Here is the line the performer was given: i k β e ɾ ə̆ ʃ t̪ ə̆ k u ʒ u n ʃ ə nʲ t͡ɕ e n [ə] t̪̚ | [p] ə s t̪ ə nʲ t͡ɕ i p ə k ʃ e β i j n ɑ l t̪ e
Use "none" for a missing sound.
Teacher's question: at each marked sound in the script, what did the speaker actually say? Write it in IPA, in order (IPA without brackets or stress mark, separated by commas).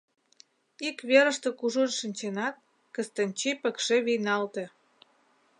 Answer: ɑ, k